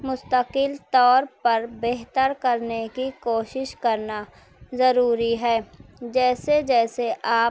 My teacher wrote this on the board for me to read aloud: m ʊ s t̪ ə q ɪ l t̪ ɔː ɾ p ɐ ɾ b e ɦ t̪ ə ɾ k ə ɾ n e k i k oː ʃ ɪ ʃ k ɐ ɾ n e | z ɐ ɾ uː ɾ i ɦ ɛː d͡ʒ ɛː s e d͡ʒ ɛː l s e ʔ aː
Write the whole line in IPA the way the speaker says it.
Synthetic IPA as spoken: m ʊ s t̪ ə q ɪ l t̪ ɔː ɾ p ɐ ɾ b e ɦ t̪ ə ɾ k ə ɾ n e k i k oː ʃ ɪ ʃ k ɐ ɾ n a | z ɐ ɾ uː ɾ i ɦ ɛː d͡ʒ ɛː s e d͡ʒ ɛː s e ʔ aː